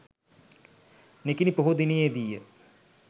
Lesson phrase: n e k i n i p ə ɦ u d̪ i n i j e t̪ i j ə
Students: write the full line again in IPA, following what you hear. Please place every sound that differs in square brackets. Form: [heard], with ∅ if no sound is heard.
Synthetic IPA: n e k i n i p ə ɦ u d̪ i n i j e [d̪] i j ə